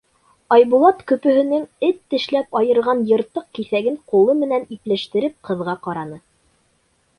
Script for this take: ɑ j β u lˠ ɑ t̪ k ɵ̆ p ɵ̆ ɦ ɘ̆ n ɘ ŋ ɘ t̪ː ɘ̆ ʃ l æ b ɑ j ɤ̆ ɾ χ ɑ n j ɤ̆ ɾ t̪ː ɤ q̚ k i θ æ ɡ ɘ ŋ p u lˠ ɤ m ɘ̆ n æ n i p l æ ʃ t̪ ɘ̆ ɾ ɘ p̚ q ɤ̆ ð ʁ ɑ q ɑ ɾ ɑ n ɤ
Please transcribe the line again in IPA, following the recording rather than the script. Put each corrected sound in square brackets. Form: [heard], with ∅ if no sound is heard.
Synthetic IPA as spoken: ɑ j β u lˠ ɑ t̪ k ɵ̆ p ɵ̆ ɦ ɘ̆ n ɘ ŋ ɘ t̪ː ɘ̆ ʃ l æ [p] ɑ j ɤ̆ ɾ [ʁ] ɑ n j ɤ̆ ɾ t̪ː ɤ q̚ k i θ æ ɡ ɘ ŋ [q] u lˠ ɤ m ɘ̆ n æ n i p l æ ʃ t̪ ɘ̆ ɾ ɘ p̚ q ɤ̆ ð ʁ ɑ q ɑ ɾ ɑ n ɤ